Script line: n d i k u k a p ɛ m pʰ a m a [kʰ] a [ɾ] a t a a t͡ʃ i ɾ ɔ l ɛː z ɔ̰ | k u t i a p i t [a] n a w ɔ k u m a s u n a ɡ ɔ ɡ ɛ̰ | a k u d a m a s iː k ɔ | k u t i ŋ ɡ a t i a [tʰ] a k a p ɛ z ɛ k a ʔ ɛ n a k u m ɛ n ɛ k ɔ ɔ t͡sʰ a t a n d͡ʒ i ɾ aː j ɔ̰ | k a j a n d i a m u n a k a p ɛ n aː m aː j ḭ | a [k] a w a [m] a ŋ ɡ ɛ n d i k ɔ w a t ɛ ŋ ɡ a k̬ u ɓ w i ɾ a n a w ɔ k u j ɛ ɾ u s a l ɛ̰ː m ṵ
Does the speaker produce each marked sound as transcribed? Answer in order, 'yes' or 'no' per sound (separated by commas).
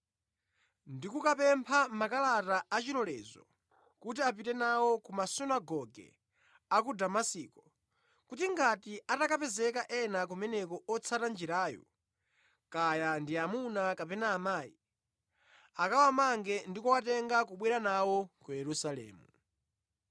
no, no, no, no, yes, yes